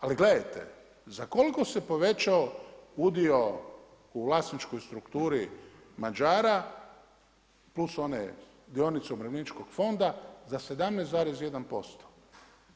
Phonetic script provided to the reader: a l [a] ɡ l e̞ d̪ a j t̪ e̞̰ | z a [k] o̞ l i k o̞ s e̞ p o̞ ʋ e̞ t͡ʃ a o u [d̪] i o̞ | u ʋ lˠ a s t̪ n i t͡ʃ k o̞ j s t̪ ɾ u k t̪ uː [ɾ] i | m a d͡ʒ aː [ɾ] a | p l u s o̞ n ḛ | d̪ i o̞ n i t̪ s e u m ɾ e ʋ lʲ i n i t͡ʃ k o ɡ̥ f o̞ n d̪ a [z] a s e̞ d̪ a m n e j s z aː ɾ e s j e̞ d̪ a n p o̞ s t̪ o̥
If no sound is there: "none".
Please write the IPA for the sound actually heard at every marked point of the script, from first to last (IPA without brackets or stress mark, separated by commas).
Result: i, k, d̪, ɾ, ɾ, z